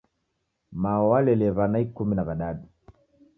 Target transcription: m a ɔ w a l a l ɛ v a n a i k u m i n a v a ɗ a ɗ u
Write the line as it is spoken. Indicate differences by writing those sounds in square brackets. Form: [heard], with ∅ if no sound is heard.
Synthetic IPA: m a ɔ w a l [ɛ] l ɛ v a n a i k u m i n a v a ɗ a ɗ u